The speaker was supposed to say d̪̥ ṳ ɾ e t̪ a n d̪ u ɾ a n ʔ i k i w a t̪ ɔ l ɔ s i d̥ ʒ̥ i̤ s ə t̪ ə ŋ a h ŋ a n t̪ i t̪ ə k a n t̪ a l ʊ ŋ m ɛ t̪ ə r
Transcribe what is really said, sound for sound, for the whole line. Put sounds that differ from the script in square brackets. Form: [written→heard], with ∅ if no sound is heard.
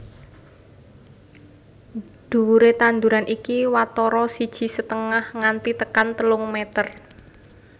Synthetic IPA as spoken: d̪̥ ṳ ɾ e t̪ a n d̪ u ɾ a n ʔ i k i w a t̪ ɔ [l→ɾ] ɔ s i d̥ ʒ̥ i̤ s ə t̪ ə ŋ a h ŋ a n t̪ i t̪ ə k a n t̪ [a→ə] l ʊ ŋ m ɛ t̪ ə r